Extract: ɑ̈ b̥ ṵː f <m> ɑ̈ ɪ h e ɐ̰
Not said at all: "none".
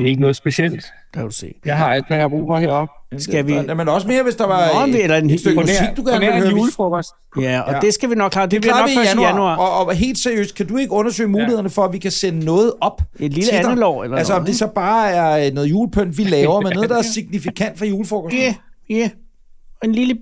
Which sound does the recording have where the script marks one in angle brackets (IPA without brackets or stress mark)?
m